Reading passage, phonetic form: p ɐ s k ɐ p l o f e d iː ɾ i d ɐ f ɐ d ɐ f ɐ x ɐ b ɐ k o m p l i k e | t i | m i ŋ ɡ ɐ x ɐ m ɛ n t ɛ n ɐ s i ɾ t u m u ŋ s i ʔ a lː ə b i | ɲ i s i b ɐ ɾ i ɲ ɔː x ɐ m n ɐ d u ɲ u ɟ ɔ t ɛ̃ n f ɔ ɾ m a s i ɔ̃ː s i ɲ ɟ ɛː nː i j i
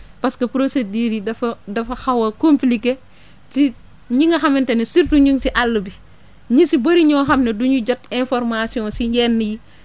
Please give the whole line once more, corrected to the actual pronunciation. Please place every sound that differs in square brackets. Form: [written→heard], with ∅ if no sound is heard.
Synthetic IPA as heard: p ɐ s k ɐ p [l→ɾ] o [f→s] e d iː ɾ i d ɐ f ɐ d ɐ f ɐ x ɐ [b→w] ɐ k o m p l i k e | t i | [m→ɲ] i ŋ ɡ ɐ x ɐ m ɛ n t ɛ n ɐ s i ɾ t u [m→ɲ] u ŋ s i ʔ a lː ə b i | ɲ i s i b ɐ ɾ i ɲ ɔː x ɐ m n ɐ d u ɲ u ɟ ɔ t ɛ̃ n f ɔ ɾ m a s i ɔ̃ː s i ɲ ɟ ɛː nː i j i